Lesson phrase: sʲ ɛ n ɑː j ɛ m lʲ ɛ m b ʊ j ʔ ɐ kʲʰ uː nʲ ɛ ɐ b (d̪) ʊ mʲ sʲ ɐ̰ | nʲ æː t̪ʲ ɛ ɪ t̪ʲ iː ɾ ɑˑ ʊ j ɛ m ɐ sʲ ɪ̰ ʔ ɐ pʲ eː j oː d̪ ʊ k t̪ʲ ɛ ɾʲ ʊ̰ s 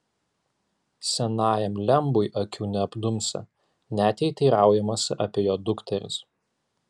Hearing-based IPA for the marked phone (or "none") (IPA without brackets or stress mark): d̪